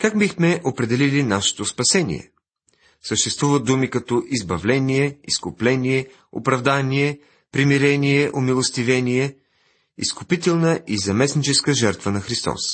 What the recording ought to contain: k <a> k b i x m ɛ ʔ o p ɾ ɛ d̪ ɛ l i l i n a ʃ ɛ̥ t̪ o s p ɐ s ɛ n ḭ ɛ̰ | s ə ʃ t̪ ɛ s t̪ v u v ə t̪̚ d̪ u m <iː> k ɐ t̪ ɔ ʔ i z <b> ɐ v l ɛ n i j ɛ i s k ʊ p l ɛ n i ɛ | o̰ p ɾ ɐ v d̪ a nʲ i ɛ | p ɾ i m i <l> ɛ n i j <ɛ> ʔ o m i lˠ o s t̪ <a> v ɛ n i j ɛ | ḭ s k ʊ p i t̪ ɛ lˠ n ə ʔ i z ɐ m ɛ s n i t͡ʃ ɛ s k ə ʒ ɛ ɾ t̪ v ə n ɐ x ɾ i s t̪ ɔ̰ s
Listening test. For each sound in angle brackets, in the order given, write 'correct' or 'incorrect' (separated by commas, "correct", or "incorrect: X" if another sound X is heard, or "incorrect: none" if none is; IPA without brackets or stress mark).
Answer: correct, incorrect: i, correct, incorrect: ɾ, correct, incorrect: i